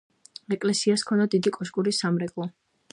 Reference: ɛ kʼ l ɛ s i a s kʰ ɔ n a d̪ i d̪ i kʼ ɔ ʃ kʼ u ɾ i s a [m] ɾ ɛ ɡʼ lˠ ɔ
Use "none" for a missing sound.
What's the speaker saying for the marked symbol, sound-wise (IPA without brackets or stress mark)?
m